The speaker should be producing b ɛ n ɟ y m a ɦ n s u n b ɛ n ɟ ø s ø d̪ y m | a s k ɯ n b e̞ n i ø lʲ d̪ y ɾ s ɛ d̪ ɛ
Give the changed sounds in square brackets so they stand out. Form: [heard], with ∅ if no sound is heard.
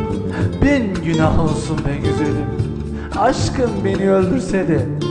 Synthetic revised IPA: b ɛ n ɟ y [n] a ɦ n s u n b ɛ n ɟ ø [z] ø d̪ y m | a [ʃ] k ɯ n b e̞ n i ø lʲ d̪ y ɾ s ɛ d̪ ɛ